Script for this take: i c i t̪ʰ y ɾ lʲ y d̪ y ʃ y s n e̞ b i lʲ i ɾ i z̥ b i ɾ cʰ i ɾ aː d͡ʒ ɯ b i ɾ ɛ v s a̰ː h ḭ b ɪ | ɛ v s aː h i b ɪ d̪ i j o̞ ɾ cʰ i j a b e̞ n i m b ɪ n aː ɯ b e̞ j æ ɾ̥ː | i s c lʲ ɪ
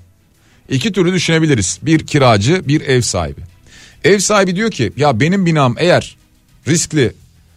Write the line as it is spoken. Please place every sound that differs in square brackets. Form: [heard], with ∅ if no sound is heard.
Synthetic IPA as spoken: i c i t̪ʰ y ɾ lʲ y d̪ y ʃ y [∅] n e̞ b i lʲ i ɾ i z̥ b i ɾ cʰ i ɾ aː d͡ʒ ɯ b i ɾ ɛ v s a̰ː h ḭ b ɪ | ɛ v s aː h i b [i] d̪ i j o̞ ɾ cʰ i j a b e̞ n i m b [i] n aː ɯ [m] e̞ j æ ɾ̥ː | i s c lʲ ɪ